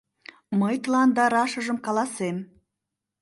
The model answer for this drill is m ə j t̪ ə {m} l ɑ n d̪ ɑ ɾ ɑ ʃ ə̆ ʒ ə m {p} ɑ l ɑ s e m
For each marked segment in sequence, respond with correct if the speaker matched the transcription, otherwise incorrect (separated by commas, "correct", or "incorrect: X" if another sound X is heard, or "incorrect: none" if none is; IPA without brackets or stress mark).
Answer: incorrect: none, incorrect: k